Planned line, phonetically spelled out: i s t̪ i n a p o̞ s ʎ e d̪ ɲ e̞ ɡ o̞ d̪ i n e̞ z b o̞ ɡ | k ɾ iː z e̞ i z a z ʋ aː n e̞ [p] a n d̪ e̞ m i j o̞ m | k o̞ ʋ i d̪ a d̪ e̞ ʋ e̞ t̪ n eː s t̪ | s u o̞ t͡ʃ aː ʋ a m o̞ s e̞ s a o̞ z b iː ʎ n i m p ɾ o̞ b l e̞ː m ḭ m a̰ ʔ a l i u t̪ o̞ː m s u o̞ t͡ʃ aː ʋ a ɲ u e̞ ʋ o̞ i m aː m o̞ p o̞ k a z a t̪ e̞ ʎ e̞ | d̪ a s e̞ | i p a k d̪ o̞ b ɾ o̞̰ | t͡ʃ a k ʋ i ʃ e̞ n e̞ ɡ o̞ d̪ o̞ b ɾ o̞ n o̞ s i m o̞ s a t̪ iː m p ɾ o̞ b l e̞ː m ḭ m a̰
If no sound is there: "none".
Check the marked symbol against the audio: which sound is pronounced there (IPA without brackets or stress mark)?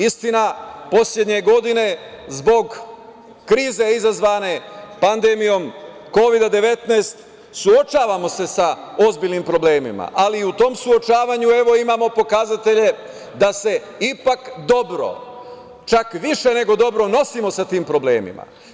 p